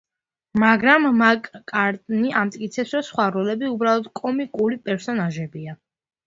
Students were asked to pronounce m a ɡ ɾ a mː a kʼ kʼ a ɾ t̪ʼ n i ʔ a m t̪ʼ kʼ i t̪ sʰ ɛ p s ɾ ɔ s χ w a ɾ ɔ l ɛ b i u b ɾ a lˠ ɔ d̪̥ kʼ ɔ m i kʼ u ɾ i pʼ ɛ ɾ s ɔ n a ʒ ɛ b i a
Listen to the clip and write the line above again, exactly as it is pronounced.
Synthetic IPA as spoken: m a ɡ ɾ a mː a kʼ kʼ a ɾ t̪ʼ n i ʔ a m t̪ʼ kʼ i t̪ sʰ ɛ p s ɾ ɔ s χ w a ɾ ɔ l ɛ b i u b ɾ a lˠ ɔ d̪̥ kʼ ɔ m i kʼ u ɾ i pʼ ɛ ɾ s ɔ n a ʒ ɛ b i a